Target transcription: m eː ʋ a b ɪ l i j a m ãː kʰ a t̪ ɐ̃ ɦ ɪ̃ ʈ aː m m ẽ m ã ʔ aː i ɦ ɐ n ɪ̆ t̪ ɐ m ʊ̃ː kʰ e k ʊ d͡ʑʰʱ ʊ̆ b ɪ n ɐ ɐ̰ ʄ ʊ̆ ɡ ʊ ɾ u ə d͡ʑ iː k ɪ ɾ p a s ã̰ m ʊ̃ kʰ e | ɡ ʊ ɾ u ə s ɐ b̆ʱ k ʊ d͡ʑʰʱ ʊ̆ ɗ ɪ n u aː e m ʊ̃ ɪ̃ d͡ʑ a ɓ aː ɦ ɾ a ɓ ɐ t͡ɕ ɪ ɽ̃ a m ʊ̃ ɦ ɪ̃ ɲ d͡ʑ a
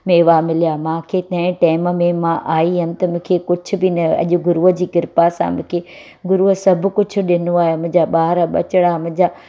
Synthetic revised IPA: m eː ʋ a m ɪ l i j a m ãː kʰ e t̪ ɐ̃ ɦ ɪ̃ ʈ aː m m ẽ m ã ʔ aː i ɦ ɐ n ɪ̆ t̪ ɐ m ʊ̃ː kʰ e k ʊ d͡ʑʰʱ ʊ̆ b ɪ n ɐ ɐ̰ ʄ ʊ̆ ɡ ʊ ɾ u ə d͡ʑ iː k ɪ ɾ p a s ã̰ m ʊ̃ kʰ e | ɡ ʊ ɾ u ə s ɐ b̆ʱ k ʊ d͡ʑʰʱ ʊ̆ ɗ ɪ n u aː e m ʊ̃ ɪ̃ d͡ʑ a ɓ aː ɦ ɾ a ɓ ɐ t͡ɕ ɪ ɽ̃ a m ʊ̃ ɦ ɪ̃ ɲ d͡ʑ a